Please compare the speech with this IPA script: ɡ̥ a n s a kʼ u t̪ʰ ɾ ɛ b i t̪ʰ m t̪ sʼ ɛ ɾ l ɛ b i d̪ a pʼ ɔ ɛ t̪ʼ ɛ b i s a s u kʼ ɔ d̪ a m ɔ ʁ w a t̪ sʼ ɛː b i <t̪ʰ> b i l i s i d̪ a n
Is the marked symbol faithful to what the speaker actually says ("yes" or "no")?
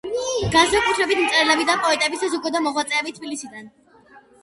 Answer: yes